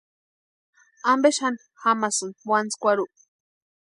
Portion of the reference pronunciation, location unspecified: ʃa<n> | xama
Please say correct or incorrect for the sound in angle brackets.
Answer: correct